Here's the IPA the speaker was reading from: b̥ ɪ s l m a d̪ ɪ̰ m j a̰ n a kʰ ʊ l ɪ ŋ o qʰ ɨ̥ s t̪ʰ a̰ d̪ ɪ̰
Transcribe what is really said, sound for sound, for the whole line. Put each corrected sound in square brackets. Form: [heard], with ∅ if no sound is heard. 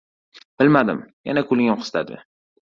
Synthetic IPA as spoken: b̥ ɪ [∅] l m a d̪ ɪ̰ m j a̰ n a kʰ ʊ l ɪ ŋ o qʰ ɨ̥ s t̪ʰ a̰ d̪ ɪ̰